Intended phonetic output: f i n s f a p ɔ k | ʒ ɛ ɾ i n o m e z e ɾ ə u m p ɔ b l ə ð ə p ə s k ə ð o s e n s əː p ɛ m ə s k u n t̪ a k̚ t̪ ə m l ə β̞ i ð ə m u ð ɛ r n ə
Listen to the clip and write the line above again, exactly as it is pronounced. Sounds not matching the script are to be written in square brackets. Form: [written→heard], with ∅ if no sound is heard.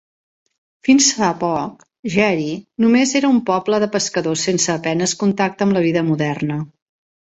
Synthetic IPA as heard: f i n s f a p ɔ k | ʒ ɛ ɾ i n [o→u] m e z e ɾ ə u m p ɔ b l ə ð ə p ə s k ə ð o s e n s əː p ɛ [m→n] ə s k u n t̪ a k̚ t̪ ə m l ə β̞ i ð ə m u ð ɛ r n ə